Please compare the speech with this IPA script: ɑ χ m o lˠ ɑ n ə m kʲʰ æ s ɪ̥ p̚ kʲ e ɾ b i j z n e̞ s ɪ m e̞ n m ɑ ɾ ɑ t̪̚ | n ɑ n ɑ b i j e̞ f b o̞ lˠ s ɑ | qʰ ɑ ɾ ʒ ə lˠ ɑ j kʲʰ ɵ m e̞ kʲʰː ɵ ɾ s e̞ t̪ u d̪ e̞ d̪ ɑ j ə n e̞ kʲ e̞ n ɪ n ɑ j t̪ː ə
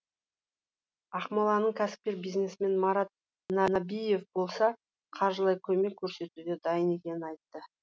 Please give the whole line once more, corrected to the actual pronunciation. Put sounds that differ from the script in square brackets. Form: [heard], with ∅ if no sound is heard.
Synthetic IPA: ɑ χ m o lˠ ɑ n ə [ɴ] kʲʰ æ s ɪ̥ p̚ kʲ e ɾ b i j z n e̞ s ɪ m e̞ n m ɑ ɾ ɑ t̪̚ | n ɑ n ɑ b i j e̞ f b o̞ lˠ s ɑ | qʰ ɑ ɾ ʒ ə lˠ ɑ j kʲʰ ɵ m e̞ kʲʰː ɵ ɾ s e̞ t̪ u d̪ e̞ d̪ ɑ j ə n e̞ kʲ e̞ n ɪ n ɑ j t̪ː ə